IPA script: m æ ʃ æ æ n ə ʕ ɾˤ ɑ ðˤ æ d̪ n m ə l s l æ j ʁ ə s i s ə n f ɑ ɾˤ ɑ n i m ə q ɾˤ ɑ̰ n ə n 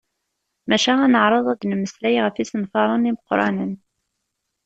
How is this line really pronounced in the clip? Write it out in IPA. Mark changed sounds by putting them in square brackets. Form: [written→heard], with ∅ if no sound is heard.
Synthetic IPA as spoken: m æ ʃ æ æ n ə ʕ ɾˤ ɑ ðˤ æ d̪ n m ə [l→∅] s l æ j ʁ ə [s→f] i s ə n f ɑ ɾˤ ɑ n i m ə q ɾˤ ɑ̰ n ə n